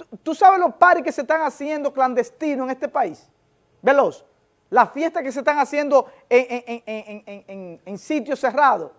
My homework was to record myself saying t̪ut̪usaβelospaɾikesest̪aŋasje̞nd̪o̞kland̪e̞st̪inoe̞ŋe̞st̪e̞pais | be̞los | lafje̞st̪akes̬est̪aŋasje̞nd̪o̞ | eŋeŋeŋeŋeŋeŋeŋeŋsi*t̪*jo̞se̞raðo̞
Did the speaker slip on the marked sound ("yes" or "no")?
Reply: no